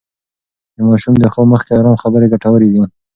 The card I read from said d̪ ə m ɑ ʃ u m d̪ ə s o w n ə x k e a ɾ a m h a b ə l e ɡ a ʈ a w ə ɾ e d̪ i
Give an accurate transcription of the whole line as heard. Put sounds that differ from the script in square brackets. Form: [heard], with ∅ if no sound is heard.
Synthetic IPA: d̪ ə m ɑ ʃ u m d̪ ə [x] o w [m] ə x k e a ɾ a m [x] a b ə [ɾ] e ɡ a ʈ a w ə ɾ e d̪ i